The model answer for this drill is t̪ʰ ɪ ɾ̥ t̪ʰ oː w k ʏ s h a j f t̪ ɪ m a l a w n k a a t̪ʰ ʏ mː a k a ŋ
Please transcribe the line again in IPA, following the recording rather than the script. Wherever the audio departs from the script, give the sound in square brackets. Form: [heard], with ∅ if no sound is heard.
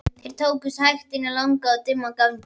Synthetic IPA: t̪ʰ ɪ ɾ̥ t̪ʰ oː w k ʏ s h a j [x] t̪ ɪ [n] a l a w [ŋ] k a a [t̪] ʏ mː a k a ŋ